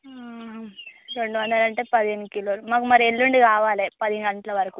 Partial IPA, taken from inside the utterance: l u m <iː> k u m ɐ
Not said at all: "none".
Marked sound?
aː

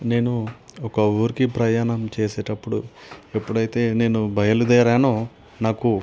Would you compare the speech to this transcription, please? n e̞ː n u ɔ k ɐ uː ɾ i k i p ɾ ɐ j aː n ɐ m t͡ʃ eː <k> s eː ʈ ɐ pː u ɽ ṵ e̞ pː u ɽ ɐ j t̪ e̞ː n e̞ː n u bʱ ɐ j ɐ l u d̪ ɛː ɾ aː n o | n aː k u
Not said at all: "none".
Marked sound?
none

